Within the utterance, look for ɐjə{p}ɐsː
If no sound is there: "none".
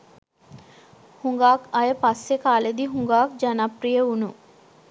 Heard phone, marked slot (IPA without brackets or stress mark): p